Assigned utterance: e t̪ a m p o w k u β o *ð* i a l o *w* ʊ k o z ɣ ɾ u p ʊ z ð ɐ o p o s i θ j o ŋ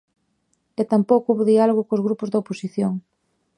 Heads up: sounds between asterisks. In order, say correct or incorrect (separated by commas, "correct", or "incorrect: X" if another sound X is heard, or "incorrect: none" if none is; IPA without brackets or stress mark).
correct, incorrect: ɣ